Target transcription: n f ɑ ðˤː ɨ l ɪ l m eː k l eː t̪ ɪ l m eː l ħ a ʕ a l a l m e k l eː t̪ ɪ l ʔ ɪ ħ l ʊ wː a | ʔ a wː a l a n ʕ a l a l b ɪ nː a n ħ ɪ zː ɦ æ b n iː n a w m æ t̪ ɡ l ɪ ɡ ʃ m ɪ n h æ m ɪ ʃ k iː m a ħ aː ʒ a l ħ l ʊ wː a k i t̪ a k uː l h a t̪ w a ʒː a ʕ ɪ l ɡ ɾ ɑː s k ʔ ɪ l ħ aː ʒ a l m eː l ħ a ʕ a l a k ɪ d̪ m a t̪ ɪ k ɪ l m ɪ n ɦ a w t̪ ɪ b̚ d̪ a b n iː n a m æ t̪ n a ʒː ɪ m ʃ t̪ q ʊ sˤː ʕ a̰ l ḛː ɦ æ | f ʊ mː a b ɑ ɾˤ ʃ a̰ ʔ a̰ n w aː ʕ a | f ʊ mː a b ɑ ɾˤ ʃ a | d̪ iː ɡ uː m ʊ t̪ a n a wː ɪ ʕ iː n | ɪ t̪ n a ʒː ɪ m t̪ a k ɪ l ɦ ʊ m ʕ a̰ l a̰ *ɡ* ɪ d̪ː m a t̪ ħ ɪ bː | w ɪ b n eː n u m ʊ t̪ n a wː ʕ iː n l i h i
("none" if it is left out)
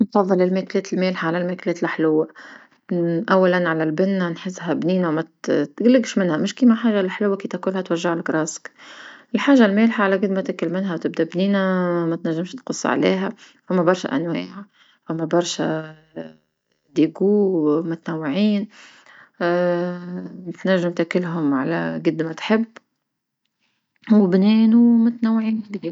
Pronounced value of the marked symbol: ɡ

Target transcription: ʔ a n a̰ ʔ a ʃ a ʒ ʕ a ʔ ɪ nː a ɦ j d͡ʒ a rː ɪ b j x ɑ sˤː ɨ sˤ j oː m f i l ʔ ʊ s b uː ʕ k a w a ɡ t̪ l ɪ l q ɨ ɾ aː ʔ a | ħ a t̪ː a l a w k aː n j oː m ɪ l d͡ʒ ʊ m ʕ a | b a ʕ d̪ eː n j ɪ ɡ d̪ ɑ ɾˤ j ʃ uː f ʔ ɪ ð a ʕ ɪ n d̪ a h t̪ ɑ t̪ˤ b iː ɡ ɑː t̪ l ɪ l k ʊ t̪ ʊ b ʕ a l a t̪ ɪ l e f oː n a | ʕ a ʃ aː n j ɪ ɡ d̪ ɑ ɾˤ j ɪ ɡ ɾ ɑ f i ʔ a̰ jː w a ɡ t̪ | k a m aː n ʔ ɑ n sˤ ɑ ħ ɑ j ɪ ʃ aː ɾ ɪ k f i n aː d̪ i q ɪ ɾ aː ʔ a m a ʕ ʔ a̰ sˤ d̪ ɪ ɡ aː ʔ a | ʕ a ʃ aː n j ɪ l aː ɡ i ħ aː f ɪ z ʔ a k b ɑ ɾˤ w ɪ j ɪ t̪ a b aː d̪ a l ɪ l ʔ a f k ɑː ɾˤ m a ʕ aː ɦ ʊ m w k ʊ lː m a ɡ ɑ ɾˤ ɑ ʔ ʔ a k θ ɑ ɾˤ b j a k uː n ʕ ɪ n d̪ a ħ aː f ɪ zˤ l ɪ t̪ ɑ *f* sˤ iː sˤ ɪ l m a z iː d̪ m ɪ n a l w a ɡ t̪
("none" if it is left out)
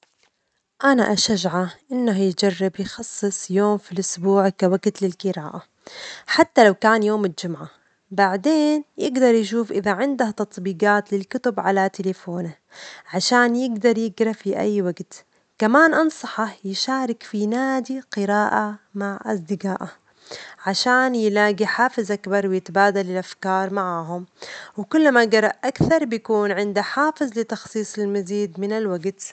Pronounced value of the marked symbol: x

